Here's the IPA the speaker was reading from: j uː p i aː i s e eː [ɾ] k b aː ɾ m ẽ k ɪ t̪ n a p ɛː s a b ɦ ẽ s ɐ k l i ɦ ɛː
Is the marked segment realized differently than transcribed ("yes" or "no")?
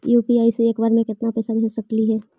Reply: yes